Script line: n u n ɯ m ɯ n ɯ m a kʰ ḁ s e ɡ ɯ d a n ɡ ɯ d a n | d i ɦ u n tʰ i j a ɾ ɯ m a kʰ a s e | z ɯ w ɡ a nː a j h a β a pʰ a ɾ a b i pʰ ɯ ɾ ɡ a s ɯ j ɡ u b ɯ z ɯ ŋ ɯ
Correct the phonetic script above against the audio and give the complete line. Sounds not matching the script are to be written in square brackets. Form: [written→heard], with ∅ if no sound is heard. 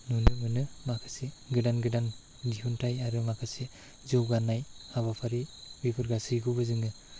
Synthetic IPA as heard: n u n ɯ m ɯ n ɯ m a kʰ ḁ s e ɡ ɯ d a n ɡ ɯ d a n | d i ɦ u n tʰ [i→a] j a ɾ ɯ m a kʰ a s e | z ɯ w ɡ a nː a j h a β a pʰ a ɾ [a→i] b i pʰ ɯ ɾ ɡ a s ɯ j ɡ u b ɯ z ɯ ŋ ɯ